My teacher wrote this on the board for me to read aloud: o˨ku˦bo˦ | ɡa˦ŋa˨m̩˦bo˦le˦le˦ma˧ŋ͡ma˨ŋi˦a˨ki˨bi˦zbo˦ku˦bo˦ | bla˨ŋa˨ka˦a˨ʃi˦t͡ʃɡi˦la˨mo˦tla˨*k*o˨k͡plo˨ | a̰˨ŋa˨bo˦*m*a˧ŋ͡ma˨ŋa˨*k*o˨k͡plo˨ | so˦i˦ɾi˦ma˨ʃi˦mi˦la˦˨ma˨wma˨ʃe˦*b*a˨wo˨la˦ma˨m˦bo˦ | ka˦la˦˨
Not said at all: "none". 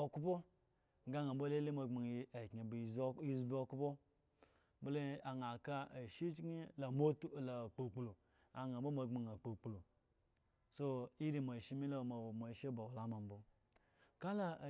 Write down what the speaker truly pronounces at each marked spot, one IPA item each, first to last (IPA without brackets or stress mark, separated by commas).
k͡p, m, k͡p, b